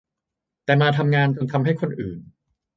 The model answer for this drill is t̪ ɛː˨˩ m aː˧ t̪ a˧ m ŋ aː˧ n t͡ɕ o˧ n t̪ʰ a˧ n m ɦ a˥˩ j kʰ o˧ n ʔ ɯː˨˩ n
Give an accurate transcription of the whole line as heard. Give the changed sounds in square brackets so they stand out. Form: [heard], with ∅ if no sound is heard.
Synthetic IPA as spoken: t̪ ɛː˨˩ m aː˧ [t̪ʰ] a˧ m ŋ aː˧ n t͡ɕ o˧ n t̪ʰ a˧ [∅] m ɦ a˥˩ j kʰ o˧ n ʔ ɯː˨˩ n